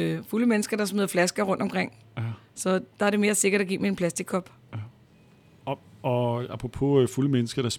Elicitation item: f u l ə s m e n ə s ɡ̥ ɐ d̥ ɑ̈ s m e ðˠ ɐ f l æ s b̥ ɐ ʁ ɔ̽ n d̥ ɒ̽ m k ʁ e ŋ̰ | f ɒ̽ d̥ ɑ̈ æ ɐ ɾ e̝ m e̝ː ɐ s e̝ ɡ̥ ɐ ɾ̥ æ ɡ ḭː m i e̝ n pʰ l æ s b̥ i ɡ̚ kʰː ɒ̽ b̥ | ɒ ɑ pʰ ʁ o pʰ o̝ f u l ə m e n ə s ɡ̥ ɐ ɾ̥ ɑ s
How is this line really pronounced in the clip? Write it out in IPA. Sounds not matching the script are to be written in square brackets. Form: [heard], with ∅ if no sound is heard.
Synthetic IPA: f u l ə [∅] m e n ə s ɡ̥ ɐ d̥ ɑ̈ s m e ðˠ ɐ f l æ s [ɡ̥] ɐ ʁ ɔ̽ n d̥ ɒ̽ m k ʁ e ŋ̰ | [s] ɒ̽ d̥ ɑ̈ æ ɐ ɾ e̝ m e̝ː ɐ s e̝ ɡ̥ ɐ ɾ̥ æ ɡ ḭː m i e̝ n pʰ l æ s [d̥] i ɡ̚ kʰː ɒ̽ b̥ | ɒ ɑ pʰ ʁ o pʰ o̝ f u l ə m e n ə s ɡ̥ ɐ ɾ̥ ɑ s